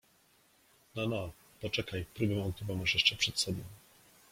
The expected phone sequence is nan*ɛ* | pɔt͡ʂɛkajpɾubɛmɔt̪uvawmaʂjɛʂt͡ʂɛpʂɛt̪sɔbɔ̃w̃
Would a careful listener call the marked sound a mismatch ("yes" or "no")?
yes